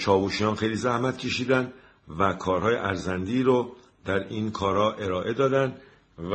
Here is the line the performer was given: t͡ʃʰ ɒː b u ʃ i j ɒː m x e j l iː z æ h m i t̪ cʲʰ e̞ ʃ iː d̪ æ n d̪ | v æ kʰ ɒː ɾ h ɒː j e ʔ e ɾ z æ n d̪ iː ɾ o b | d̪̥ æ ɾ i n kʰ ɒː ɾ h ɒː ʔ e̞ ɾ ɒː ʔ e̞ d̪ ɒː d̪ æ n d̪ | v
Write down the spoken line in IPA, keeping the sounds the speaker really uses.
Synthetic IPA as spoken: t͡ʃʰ ɒː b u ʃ i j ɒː n x e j l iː z æ h m æ t̪ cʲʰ e̞ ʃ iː d̪ æ n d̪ | v æ kʰ ɒː ɾ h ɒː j e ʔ æ ɾ z æ n d̪ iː ɾ o | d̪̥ æ ɾ i n kʰ ɒː ɾ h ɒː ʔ e̞ ɾ ɒː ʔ e̞ d̪ ɒː d̪ æ n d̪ | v